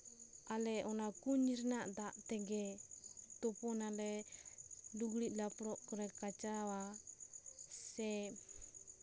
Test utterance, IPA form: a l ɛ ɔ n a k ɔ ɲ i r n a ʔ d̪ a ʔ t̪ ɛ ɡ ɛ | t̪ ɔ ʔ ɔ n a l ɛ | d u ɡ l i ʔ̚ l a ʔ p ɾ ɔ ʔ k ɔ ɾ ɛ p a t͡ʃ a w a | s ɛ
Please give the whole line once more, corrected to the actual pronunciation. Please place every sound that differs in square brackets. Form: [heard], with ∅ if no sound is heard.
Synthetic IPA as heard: a l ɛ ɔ n a k [u] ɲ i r n a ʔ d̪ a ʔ t̪ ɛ ɡ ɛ | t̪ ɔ [p] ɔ n a l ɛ | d u ɡ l i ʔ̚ l a [∅] p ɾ ɔ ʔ k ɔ ɾ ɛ [k] a t͡ʃ a w a | s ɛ